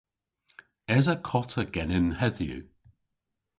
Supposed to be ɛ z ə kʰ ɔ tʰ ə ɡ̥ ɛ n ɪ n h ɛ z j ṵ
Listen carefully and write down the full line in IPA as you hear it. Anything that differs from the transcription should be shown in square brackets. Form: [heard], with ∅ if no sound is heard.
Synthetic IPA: ɛ z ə kʰ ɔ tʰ ə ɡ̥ ɛ n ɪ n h ɛ [ð] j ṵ